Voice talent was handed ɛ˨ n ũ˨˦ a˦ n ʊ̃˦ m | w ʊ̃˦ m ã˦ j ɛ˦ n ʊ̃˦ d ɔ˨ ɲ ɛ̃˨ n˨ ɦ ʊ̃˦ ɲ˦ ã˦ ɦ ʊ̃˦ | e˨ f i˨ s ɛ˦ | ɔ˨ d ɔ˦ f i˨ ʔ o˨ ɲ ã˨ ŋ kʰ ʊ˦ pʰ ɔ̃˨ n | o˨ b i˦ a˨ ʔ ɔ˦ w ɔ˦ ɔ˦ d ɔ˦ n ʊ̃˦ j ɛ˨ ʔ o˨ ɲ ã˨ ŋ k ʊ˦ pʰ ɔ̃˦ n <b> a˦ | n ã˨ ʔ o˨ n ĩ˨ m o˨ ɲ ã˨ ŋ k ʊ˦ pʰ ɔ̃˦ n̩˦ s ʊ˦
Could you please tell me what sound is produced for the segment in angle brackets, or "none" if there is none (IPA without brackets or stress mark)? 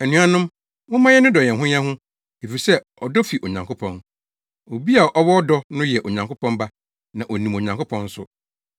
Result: b